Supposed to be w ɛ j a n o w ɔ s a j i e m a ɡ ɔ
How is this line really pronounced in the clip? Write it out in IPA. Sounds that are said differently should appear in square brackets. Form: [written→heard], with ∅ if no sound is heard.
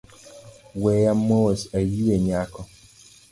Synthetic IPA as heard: w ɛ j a [n→m] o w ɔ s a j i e [m→ɲ] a [ɡ→k] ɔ